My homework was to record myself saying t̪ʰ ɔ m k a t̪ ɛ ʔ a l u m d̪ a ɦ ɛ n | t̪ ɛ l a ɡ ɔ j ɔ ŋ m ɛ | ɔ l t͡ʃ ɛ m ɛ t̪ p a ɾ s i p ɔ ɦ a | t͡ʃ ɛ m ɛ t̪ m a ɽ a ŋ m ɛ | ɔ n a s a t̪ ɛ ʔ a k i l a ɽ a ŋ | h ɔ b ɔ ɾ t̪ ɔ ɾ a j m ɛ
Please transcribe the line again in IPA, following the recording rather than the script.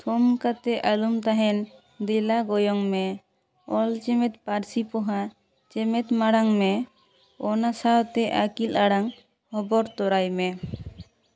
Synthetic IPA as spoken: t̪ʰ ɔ m k a t̪ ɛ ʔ a l u m t̪ a ɦ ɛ n | d̪ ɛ l a ɡ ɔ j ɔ ŋ m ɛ | ɔ l t͡ʃ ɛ m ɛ t̪ p a ɾ s i p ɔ ɦ a | t͡ʃ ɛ m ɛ t̪ m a ɽ a ŋ m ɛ | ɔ n a s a t̪ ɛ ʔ a k i l a ɽ a ŋ | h ɔ b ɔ ɾ t̪ ɔ ɾ a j m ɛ